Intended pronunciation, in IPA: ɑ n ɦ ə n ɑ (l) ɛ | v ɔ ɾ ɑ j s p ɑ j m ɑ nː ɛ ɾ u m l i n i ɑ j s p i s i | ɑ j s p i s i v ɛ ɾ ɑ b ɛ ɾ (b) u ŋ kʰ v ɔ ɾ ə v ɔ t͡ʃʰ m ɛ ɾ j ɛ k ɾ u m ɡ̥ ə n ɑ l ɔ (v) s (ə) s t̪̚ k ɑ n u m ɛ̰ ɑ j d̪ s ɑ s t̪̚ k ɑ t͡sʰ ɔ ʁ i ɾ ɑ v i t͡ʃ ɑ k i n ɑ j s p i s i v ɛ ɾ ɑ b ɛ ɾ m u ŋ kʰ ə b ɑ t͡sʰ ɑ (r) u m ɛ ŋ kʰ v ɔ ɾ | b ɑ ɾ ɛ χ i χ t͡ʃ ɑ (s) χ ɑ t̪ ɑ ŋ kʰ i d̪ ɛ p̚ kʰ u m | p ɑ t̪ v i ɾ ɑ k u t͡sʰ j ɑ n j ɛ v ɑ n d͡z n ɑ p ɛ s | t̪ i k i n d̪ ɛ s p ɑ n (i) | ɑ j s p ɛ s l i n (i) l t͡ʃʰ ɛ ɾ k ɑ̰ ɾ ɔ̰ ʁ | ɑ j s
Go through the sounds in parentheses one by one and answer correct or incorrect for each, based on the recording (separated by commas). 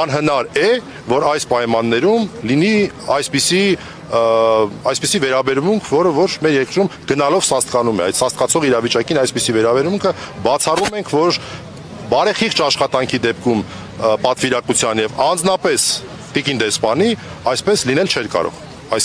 incorrect, incorrect, correct, incorrect, correct, incorrect, correct, incorrect